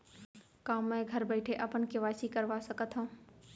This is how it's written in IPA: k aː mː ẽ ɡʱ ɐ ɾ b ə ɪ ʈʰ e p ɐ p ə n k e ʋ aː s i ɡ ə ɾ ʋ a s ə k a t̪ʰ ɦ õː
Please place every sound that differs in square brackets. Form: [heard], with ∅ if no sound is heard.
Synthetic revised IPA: k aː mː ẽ ɡʱ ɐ ɾ b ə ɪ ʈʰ e [ʔ] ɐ p ə n k e ʋ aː s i [k] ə ɾ ʋ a s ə k [ə] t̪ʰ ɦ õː